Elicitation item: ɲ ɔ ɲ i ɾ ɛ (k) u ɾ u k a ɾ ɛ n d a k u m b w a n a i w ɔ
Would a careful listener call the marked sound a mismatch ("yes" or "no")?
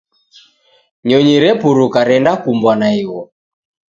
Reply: yes